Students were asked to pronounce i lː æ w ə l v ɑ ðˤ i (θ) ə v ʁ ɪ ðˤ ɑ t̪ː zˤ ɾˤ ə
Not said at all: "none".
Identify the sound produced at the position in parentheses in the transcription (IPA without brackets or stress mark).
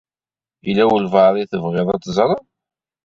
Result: θ